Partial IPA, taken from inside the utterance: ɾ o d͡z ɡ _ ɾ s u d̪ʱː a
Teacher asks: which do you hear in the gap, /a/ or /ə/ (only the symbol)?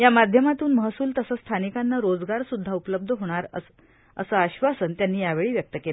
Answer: a